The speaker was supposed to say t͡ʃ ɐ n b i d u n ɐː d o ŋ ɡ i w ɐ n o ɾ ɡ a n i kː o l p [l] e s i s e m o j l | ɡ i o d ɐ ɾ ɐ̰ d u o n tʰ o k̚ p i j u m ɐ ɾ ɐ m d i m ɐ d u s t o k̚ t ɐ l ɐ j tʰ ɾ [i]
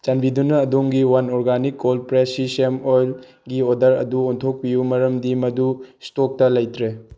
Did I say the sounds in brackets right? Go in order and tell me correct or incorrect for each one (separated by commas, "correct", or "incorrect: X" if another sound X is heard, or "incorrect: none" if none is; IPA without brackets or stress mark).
incorrect: ɾ, incorrect: e